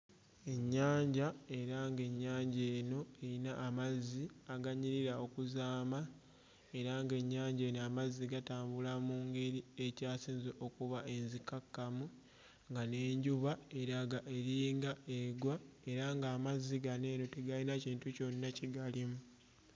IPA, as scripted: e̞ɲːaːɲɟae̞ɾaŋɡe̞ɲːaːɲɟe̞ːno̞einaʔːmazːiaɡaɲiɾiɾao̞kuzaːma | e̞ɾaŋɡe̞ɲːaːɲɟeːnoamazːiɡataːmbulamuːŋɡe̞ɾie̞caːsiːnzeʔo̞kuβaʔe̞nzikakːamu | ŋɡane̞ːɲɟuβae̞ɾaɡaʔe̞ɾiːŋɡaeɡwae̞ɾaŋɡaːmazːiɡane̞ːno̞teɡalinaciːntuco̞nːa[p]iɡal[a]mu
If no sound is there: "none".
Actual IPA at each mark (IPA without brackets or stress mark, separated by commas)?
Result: c, i